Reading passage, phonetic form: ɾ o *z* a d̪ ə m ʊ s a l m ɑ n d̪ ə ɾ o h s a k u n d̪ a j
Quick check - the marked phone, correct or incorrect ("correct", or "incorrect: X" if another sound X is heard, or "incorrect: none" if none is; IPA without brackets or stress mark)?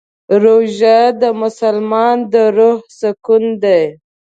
incorrect: ʒ